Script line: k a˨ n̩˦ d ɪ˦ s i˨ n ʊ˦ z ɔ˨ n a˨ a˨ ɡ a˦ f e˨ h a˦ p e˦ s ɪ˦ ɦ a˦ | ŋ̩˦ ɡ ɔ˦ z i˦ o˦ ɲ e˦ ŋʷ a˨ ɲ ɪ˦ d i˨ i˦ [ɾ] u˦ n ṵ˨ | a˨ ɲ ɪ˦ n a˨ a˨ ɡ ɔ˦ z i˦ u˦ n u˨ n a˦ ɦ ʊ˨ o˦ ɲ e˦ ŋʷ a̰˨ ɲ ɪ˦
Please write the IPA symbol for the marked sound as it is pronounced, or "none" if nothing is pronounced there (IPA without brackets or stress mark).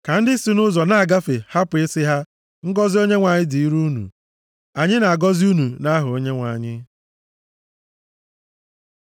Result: ɾ